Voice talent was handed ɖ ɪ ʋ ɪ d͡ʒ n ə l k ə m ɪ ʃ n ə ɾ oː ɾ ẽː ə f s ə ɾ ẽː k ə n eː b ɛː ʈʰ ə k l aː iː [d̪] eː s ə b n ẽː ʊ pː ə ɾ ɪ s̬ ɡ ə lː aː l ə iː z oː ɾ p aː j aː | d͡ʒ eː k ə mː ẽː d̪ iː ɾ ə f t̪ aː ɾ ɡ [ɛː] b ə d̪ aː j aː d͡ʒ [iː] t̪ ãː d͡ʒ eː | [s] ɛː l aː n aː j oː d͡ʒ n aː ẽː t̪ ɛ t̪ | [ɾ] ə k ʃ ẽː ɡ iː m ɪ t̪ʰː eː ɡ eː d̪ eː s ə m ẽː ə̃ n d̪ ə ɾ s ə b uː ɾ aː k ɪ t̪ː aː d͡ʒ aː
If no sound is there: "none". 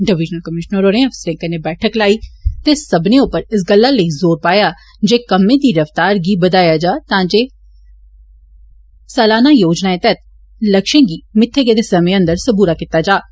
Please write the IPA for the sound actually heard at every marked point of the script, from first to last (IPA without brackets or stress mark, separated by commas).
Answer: t̪, iː, aː, s, l